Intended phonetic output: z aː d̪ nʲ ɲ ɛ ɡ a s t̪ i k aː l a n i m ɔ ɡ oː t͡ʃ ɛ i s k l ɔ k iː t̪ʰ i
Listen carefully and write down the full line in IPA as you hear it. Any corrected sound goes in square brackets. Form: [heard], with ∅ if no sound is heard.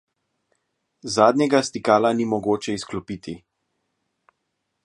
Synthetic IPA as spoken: z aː d̪ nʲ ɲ ɛ ɡ a s t̪ i k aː l a n i m ɔ ɡ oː t͡ʃ ɛ i s k l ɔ [p] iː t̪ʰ i